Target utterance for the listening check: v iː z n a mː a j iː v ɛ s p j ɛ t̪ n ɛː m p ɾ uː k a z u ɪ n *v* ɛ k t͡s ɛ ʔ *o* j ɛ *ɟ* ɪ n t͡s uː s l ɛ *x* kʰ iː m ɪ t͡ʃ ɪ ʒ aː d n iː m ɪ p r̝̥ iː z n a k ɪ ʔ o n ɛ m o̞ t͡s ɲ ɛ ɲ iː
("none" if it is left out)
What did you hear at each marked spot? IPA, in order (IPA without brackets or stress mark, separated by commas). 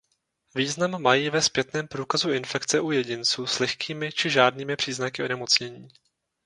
f, u, ɟ, x